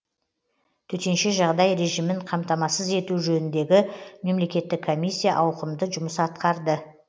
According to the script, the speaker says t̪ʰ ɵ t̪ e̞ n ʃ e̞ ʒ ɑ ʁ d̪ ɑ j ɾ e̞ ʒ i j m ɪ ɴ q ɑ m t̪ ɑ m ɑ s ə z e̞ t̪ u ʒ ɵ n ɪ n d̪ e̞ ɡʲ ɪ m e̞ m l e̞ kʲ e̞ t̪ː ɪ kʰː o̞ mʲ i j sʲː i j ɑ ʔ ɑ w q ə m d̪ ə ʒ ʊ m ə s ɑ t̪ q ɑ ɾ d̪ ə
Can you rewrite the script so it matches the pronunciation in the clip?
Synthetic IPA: t̪ʰ ɵ t̪ e̞ n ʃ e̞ ʒ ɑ ʁ d̪ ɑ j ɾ e̞ ʒ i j m ɪ ɴ qʰ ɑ m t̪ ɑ m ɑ s ə z e̞ t̪ u ʒ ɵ n ɪ n d̪ e̞ ɡʲ ɪ m e̞ m l e̞ kʲ e̞ t̪ː ɪ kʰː o̞ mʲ i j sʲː i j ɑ ʔ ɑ w q ə m d̪ ə ʒ ʊ m ə s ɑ t̪ q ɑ ɾ d̪ ə